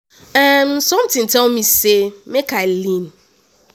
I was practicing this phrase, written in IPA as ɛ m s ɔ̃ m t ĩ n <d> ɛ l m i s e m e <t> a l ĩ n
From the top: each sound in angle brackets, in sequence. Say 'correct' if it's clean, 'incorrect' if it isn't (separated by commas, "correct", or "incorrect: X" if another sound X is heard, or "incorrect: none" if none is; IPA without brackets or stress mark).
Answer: incorrect: t, incorrect: k